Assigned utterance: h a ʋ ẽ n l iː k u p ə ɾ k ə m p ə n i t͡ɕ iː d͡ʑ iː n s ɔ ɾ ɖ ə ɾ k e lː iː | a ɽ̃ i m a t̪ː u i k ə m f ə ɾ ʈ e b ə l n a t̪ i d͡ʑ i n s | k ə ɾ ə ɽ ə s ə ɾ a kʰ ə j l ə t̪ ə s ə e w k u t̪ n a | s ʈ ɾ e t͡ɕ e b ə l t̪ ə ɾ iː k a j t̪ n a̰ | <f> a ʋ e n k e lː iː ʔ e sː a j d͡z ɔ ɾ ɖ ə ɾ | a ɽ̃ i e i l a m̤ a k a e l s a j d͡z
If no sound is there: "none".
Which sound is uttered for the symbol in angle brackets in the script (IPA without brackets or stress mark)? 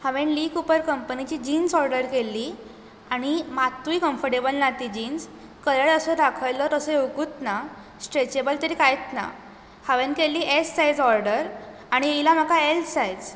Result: h